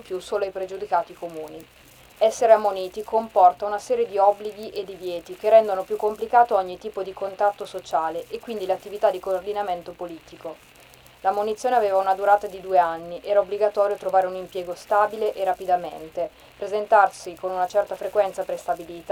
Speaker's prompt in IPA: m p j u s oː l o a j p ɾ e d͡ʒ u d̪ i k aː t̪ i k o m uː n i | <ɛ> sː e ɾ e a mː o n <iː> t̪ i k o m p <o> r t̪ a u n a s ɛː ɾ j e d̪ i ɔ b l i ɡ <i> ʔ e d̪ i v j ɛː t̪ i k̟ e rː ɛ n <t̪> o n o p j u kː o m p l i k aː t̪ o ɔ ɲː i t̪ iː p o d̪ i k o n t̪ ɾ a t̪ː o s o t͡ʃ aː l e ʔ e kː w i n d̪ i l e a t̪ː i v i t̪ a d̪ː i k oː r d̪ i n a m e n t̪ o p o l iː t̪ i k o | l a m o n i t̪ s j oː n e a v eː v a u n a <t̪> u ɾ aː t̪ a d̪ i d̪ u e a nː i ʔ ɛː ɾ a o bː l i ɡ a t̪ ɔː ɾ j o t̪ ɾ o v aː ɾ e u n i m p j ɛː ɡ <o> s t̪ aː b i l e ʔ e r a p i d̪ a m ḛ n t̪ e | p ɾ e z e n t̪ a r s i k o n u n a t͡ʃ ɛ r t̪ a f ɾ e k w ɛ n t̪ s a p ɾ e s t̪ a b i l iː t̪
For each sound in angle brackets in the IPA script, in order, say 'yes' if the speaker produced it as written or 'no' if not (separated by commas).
yes, yes, no, yes, no, no, yes